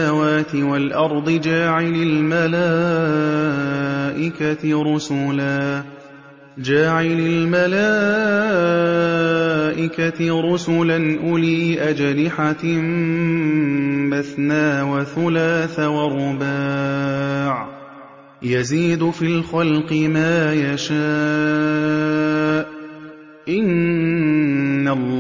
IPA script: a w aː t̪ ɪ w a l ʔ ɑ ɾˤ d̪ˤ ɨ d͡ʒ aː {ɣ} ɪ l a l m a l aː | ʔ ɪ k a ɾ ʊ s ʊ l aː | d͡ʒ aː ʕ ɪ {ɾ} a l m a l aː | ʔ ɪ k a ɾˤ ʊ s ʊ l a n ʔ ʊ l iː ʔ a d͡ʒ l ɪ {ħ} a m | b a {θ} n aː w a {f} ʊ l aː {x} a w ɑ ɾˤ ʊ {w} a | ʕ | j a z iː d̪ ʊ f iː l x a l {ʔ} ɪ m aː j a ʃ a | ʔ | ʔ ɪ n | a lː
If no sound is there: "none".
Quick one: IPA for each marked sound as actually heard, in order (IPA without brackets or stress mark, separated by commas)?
ʕ, l, ħ, θ, θ, θ, b, q